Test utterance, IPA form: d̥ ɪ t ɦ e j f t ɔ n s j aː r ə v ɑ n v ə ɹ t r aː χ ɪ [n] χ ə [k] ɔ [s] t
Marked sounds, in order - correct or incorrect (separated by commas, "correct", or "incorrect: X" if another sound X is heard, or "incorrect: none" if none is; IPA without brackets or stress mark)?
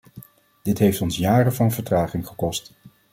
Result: incorrect: ŋ, correct, correct